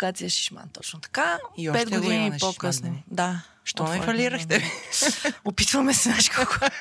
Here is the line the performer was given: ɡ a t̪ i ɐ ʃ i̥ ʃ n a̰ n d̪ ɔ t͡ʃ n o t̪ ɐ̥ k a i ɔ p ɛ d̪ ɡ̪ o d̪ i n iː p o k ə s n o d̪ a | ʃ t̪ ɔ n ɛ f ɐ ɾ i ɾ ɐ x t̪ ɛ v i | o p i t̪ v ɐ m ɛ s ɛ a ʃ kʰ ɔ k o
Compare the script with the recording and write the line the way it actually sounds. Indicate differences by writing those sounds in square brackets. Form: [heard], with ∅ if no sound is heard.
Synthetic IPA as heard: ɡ a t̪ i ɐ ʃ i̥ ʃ [m] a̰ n [t̪] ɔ t͡ʃ n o t̪ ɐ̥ k a i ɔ p ɛ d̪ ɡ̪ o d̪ i n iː p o k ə s n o d̪ a | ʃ t̪ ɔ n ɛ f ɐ [l] i ɾ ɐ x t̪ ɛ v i | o p i t̪ v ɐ m ɛ s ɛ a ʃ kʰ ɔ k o